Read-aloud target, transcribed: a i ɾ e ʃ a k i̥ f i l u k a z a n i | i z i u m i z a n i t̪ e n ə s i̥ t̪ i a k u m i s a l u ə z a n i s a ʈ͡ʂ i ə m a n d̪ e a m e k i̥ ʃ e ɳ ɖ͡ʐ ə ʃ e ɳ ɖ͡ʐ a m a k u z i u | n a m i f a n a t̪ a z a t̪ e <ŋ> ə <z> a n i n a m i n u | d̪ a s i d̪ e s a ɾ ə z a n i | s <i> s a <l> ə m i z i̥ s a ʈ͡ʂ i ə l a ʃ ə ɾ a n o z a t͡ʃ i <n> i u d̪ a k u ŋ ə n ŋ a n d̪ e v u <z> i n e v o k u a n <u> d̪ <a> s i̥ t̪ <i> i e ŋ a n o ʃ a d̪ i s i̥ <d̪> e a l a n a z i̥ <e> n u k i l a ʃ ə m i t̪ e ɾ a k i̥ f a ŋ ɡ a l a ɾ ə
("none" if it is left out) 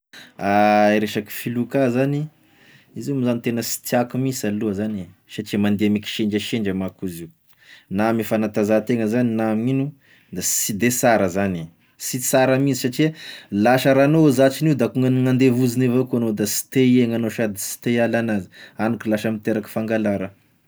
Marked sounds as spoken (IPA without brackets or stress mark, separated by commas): ŋ, z, i, ɾ, n, z, o, a, e, t̪, a